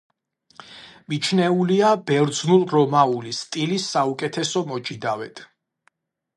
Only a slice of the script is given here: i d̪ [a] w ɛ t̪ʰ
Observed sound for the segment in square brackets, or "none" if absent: a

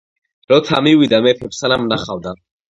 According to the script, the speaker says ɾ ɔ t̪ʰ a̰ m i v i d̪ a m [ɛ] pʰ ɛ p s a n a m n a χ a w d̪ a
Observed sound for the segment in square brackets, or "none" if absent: ɛ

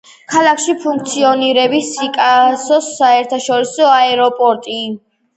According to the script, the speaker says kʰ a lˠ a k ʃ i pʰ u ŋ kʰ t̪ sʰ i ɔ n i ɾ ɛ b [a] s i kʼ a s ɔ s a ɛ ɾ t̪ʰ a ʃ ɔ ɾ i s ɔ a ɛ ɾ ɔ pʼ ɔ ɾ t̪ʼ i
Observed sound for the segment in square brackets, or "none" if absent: i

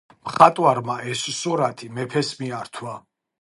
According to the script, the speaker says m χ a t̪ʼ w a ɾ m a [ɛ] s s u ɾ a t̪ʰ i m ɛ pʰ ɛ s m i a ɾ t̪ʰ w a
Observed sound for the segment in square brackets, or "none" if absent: ɛ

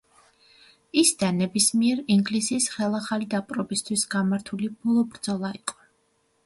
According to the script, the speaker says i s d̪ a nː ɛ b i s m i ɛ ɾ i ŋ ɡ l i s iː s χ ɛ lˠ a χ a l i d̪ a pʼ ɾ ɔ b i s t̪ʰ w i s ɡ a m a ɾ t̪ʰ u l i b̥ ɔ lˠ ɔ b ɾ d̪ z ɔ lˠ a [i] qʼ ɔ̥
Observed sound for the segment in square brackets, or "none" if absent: i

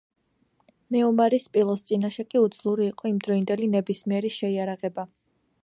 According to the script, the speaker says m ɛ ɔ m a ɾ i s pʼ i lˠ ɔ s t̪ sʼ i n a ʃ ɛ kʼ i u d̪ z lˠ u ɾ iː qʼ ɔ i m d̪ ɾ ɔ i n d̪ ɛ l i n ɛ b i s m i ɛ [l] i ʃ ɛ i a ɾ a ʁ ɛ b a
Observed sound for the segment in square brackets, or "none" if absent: ɾ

